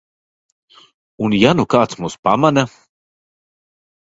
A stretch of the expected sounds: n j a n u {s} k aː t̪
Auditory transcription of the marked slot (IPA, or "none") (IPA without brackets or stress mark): none